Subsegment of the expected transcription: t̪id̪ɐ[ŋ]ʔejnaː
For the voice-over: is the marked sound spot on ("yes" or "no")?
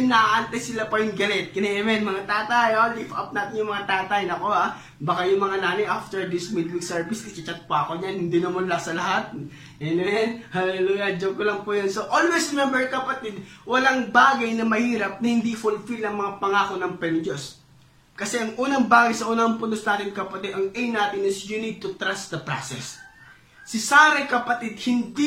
yes